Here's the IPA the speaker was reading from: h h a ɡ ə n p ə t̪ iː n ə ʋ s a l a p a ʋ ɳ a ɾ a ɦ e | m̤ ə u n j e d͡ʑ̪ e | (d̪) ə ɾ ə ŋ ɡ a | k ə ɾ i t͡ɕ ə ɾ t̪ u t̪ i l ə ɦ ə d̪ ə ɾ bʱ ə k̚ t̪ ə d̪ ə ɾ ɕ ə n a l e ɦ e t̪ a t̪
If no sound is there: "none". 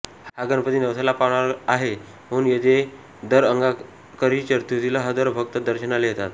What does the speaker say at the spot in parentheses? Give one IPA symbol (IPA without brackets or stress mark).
d̪